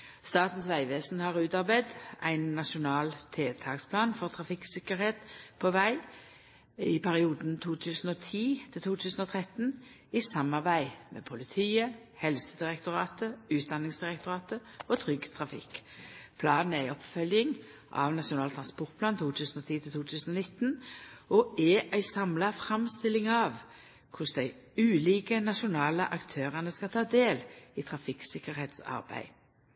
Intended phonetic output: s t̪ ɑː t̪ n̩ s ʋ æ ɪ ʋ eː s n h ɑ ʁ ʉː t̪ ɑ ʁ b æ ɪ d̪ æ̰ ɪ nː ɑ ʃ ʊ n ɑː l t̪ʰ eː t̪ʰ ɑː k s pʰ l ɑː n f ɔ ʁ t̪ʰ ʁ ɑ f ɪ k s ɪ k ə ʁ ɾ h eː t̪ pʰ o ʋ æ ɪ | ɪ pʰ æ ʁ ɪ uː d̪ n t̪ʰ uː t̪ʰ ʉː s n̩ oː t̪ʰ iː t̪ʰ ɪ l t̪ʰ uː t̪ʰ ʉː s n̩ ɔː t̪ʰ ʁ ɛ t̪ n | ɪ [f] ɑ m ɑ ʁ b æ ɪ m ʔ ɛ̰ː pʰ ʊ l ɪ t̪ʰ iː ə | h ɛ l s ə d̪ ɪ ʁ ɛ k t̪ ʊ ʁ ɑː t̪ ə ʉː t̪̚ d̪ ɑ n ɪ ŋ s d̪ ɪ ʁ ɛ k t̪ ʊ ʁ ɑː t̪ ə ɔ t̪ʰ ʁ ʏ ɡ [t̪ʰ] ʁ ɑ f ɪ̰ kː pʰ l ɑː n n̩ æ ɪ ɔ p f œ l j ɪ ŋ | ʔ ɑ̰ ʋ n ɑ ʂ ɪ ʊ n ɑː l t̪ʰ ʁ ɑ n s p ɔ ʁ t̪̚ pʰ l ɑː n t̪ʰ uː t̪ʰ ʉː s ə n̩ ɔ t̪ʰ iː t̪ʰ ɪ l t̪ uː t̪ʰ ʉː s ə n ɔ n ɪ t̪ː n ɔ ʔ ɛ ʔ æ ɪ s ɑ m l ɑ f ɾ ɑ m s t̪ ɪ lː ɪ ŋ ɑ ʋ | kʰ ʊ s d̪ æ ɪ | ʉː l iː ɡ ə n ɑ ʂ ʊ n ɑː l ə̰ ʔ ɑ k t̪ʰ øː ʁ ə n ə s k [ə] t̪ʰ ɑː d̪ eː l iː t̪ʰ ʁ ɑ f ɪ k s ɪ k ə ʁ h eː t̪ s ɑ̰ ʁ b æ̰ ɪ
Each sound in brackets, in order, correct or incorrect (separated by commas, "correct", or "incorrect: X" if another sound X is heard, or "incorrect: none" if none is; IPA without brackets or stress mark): incorrect: s, correct, incorrect: ɑ